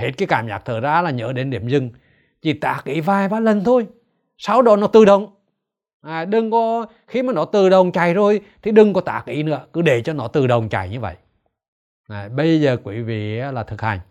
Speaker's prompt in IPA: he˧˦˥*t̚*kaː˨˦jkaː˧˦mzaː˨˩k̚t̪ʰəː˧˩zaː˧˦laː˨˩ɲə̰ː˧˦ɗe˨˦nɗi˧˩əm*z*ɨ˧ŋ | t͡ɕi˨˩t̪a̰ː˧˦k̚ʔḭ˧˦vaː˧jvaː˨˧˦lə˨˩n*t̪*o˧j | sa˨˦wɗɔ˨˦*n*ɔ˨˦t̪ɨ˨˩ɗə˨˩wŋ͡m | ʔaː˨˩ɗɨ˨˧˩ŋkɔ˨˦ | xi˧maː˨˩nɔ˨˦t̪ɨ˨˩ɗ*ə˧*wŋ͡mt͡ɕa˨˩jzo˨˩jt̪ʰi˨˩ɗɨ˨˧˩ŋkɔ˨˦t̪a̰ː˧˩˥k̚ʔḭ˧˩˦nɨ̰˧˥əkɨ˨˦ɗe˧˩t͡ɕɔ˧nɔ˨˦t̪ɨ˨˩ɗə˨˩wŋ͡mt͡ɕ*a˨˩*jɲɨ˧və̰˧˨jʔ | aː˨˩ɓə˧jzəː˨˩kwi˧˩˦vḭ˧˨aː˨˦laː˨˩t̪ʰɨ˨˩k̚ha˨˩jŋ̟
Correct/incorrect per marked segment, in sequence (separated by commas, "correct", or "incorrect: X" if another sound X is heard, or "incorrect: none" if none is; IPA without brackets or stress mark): correct, correct, incorrect: t̪ʰ, correct, incorrect: ə˨˩, correct